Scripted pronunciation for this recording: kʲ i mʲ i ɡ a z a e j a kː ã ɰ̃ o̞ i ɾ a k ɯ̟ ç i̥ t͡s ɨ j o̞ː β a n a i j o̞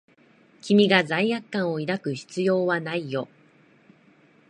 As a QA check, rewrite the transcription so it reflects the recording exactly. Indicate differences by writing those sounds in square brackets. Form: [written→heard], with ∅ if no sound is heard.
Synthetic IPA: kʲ i mʲ i ɡ a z a [e→i] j a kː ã ɰ̃ o̞ i ɾ a k ɯ̟ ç i̥ t͡s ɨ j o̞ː β a n a i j o̞